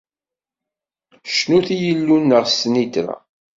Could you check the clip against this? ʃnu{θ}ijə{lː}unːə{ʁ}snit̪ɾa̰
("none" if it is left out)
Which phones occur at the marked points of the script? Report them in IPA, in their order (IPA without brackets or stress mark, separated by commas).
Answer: θ, lː, ʁ